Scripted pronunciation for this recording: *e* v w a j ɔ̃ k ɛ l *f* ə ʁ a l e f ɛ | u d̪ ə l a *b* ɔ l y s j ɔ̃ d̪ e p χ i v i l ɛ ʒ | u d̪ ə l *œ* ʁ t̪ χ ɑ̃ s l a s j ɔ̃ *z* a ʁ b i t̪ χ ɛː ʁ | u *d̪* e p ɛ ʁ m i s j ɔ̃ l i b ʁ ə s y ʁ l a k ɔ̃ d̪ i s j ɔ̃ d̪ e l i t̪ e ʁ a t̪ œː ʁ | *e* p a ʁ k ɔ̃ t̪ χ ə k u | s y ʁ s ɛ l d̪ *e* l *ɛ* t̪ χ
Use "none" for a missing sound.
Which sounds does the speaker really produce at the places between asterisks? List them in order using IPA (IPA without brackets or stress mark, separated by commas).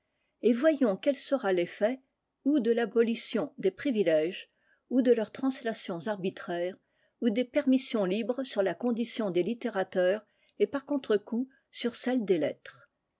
e, s, b, œ, z, d̪, e, e, ɛ